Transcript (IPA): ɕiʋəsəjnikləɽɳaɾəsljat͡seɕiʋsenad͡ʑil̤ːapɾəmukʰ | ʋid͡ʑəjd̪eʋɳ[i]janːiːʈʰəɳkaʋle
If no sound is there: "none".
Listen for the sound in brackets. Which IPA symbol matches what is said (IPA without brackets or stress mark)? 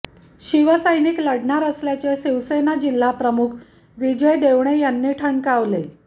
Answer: e